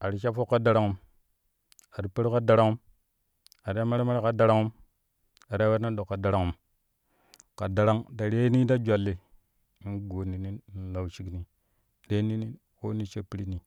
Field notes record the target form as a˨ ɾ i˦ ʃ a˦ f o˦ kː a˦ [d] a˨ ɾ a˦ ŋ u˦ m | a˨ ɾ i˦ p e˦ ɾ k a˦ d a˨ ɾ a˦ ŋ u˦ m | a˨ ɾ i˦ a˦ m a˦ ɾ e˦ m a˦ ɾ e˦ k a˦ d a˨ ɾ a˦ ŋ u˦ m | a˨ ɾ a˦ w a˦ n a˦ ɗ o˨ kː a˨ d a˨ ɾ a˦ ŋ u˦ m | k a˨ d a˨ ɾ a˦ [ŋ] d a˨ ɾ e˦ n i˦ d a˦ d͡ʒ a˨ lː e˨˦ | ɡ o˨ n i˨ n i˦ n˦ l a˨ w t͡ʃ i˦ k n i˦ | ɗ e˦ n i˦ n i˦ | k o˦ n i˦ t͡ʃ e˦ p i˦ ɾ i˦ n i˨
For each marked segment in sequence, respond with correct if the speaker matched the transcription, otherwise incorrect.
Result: correct, correct

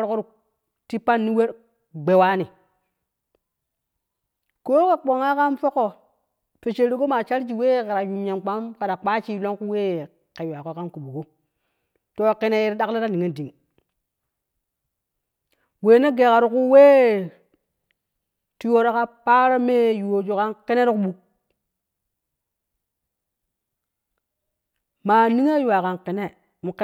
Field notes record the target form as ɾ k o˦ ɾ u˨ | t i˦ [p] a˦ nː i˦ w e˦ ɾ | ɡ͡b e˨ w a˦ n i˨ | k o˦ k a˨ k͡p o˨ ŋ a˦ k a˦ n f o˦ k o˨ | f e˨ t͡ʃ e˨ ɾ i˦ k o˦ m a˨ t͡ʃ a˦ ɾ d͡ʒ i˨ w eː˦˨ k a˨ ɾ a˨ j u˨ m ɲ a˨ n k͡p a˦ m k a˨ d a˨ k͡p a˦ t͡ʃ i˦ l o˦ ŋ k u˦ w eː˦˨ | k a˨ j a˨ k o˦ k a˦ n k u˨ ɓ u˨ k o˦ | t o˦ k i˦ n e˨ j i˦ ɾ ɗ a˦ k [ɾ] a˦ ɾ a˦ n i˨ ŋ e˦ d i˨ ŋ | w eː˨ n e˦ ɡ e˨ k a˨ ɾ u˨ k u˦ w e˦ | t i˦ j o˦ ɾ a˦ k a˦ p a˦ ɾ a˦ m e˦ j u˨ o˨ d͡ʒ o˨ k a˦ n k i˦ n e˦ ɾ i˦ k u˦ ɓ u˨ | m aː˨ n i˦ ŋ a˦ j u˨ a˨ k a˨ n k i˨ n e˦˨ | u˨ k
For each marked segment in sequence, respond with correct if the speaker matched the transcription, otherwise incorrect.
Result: correct, incorrect

